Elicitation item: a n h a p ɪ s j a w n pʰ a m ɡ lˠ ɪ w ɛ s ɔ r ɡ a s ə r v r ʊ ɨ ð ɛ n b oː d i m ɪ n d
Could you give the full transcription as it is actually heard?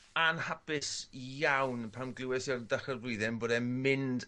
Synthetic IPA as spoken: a n h a p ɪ s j a w n pʰ a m ɡ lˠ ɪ w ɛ s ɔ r d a χ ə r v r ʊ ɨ ð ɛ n b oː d ɛ m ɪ n d